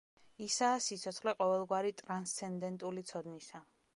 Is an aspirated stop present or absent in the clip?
absent